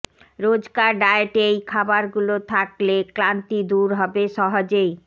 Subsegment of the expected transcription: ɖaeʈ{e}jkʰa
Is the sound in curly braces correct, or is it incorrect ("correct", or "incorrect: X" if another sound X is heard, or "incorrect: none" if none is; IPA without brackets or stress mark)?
correct